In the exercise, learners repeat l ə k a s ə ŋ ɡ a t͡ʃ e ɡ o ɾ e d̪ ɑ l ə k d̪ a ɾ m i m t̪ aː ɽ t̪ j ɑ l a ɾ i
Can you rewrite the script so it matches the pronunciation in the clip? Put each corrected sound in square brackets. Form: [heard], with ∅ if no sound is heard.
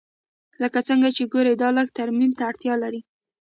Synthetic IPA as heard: l ə k a [t͡s] ə ŋ ɡ a t͡ʃ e ɡ o ɾ e d̪ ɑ l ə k [t̪] a ɾ m i m t̪ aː ɽ t̪ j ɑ l a ɾ i

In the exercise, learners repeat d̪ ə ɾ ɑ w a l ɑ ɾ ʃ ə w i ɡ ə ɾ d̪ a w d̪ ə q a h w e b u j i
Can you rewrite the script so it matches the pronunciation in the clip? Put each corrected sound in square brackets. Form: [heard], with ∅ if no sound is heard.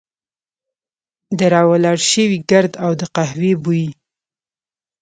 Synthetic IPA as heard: d̪ ə ɾ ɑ w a l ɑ [ɽ] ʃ ə w i ɡ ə ɾ d̪ a w d̪ ə q a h w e b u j i

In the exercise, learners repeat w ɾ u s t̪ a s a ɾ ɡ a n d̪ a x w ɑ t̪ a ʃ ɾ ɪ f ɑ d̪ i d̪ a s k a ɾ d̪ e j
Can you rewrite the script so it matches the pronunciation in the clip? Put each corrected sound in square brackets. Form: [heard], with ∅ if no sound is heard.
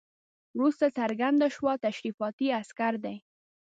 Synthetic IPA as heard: w ɾ u s t̪ a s a ɾ ɡ a n d̪ a [ʃ] w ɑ t̪ a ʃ ɾ [i] f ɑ [t̪] i [∅] a s k a ɾ d̪ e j

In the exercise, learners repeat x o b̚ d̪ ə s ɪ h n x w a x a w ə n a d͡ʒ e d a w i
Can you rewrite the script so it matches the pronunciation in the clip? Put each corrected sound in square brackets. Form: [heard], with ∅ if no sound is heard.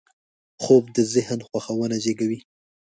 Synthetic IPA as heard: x o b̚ d̪ ə [z] ɪ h n x w a x a w ə n a d͡ʒ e [ɡ] a w i

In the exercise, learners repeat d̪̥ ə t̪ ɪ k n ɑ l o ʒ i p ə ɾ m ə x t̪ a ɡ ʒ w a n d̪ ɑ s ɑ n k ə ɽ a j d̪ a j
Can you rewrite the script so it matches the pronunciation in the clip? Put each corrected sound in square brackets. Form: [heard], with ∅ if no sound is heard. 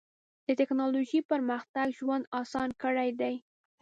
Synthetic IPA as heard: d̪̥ ə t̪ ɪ k n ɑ l o ʒ i p ə ɾ m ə x t̪ a ɡ ʒ w a n d̪ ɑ s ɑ n k ə ɽ a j d̪ a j

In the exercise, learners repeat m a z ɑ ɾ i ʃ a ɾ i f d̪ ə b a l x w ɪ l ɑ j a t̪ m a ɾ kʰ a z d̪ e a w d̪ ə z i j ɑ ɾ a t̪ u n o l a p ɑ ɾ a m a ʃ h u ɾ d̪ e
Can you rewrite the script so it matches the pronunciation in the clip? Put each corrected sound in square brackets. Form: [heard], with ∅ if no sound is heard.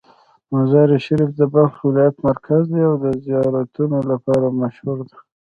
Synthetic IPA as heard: m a z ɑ ɾ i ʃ a ɾ i f d̪ ə b a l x w ɪ l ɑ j a t̪ m a ɾ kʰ a z d̪ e a w d̪ ə z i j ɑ ɾ a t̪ u n o l a p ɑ ɾ a m a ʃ h u ɾ d̪ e

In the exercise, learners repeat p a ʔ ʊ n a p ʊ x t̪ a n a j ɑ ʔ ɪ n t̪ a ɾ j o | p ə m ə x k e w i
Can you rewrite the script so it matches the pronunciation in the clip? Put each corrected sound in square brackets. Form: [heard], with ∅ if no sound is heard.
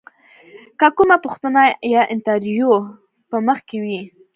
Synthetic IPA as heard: [k] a [k] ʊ [m] a p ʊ x t̪ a n a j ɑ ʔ ɪ n t̪ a ɾ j o | p ə m ə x k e w i

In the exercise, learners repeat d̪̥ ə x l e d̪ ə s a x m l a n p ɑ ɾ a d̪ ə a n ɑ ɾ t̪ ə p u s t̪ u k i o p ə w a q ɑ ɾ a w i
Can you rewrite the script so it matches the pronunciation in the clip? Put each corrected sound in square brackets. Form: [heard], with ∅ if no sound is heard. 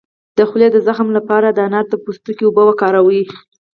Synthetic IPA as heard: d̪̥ ə x l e d̪ ə [z] a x m l a [∅] p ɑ ɾ a d̪ ə a n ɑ ɾ t̪ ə p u s t̪ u k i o [b] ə w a [k] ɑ ɾ a w i

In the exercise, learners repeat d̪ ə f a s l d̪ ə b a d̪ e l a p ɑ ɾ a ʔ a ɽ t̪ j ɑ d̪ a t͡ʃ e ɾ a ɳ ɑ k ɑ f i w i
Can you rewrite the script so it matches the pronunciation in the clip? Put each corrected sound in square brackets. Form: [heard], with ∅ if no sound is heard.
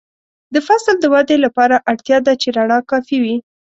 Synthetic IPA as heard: d̪ ə f a s l d̪ ə [w] a d̪ e l a p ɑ ɾ a ʔ a ɽ t̪ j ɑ d̪ a t͡ʃ e ɾ a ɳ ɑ k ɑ f i w i

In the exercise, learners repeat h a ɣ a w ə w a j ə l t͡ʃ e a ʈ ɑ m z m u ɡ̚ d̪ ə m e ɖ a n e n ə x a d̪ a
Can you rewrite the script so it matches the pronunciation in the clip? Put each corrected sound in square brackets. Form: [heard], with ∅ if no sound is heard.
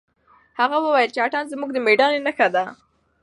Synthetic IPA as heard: h a ɣ a w ə w a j ə l t͡ʃ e a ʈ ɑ [n] z m u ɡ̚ d̪ ə m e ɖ [ɑ] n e n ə x a d̪ a

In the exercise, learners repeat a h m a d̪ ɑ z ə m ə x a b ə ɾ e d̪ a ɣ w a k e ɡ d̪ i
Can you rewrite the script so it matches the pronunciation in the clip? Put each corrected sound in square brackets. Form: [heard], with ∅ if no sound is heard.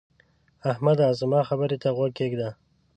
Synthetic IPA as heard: a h m a d̪ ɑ z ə m [ɑ] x a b ə ɾ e [t̪] a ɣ w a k e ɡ d̪ [a]

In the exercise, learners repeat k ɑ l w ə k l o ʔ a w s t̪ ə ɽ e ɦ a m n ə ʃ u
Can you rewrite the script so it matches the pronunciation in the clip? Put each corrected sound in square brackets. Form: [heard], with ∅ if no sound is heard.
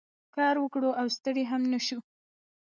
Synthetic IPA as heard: k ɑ [ɾ] w ə k [ɽ] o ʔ a w s t̪ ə ɽ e ɦ a m n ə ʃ u

